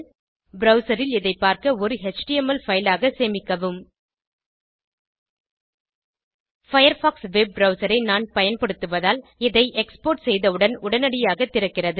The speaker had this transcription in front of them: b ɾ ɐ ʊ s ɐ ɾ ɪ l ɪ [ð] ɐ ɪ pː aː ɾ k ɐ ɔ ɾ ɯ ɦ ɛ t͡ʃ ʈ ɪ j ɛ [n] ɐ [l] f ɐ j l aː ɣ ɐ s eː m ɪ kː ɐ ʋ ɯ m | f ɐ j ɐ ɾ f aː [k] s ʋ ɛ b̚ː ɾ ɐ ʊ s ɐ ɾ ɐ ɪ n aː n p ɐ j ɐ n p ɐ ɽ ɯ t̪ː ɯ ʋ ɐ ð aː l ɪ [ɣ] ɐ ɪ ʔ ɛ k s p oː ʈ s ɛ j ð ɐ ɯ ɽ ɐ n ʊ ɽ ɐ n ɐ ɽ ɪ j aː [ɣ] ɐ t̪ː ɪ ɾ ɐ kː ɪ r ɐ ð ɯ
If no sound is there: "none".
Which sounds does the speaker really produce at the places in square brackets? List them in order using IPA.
ð, m, l, k, ð, ɣ

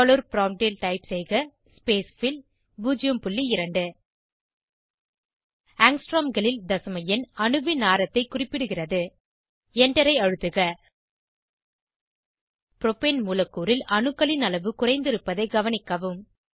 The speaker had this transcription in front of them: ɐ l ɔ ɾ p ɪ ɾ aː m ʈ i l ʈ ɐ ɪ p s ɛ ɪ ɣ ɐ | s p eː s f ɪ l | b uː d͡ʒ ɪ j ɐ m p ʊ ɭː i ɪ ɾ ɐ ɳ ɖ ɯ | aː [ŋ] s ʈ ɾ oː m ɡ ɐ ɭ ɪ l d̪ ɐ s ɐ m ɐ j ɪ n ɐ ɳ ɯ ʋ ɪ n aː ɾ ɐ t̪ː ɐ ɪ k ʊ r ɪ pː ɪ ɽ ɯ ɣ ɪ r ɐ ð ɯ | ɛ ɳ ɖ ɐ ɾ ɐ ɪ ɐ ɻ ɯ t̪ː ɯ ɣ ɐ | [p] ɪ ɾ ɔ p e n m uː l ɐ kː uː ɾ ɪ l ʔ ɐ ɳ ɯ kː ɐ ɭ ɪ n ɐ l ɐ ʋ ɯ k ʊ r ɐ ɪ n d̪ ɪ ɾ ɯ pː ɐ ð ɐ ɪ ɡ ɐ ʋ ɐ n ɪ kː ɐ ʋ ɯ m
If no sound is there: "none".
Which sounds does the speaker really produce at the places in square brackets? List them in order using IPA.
ŋ, p

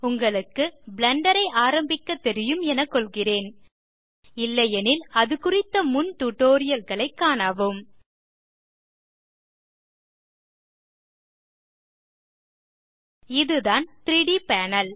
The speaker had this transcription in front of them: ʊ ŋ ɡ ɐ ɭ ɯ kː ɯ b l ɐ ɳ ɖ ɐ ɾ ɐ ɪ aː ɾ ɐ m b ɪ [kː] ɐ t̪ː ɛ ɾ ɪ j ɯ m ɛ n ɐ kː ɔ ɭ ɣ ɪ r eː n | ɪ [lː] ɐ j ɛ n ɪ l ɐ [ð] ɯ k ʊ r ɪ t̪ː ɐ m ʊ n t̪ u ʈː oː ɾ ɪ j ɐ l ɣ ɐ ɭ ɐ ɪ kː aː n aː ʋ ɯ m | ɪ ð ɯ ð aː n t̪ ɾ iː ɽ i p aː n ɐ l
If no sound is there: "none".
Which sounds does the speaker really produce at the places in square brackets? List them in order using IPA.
kː, lː, ð

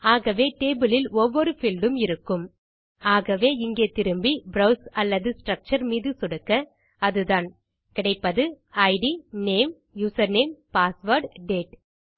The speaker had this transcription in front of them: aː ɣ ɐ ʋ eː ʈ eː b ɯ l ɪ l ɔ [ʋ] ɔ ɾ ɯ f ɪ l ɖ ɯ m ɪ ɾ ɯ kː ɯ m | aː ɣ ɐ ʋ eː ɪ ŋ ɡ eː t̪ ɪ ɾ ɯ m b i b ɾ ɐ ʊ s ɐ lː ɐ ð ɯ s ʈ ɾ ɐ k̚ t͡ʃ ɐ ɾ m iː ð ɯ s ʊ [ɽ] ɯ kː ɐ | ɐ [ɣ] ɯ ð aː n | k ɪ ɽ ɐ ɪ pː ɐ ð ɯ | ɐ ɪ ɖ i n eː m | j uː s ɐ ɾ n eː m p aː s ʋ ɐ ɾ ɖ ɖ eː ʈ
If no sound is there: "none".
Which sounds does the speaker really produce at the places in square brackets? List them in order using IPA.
ʋː, ɽ, ð

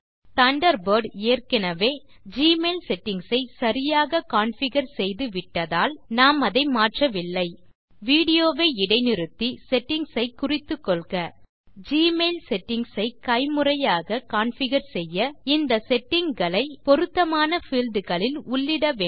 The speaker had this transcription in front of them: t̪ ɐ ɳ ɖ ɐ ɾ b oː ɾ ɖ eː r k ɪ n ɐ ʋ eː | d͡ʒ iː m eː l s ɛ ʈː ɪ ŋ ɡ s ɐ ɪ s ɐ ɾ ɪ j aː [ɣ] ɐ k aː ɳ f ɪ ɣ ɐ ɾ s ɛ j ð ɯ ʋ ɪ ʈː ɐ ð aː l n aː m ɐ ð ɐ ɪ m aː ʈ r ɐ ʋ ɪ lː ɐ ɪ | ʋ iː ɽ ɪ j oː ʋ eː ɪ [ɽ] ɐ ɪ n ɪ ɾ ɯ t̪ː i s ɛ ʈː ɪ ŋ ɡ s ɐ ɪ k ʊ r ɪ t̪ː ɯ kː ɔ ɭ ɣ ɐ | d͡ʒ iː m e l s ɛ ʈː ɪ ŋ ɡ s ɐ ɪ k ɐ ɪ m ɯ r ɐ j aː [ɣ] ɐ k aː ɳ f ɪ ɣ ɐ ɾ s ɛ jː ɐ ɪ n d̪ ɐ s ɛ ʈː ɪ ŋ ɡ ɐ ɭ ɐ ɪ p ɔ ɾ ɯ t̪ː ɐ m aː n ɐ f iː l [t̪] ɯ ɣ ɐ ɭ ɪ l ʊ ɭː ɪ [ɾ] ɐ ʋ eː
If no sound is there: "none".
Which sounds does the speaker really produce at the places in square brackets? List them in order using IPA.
ɣ, ɽ, ɣ, d̪, ɽ

